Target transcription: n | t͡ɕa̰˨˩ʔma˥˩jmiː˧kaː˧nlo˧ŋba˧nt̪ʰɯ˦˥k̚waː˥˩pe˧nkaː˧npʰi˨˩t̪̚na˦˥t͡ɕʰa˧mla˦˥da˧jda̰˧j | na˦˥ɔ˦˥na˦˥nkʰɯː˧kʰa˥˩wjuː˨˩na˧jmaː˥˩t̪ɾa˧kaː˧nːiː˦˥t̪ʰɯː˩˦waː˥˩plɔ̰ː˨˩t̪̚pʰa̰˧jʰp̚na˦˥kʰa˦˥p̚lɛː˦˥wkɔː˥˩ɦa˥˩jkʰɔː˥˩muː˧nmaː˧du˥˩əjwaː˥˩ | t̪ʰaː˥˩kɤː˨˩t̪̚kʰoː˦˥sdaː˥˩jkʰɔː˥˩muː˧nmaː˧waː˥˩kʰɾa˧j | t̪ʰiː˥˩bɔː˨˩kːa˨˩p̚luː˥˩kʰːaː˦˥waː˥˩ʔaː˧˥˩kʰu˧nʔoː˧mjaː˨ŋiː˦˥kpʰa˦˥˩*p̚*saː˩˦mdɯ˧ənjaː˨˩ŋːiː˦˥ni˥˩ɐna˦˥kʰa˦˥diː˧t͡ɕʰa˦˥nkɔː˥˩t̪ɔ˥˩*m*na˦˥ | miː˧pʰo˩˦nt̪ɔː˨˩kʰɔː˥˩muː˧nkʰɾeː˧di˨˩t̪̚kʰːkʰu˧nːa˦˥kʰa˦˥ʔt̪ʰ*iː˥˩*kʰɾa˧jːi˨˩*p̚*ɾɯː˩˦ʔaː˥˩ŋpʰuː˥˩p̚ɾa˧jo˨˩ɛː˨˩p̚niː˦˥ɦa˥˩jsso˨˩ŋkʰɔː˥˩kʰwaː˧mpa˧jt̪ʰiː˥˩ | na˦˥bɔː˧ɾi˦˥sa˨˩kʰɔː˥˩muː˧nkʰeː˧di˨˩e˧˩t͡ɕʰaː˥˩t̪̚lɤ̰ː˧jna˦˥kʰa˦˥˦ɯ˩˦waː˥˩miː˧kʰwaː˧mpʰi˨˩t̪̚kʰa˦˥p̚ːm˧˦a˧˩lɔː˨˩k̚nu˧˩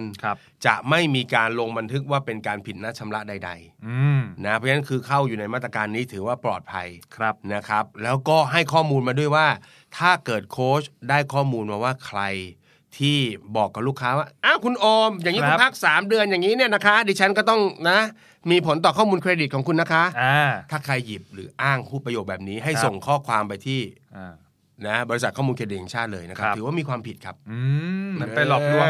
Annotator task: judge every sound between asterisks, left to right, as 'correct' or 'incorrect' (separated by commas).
incorrect, incorrect, incorrect, correct